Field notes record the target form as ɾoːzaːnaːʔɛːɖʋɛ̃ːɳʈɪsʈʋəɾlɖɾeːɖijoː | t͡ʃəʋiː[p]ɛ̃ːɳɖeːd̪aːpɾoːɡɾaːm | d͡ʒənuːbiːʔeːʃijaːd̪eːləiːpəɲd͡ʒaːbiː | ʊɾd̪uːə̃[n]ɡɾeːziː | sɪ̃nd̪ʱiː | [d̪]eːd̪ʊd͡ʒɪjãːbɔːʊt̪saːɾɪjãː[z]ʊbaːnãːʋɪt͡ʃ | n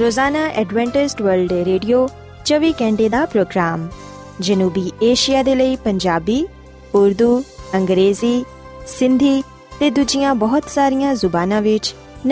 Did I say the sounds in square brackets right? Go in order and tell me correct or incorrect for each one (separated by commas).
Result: incorrect, incorrect, incorrect, correct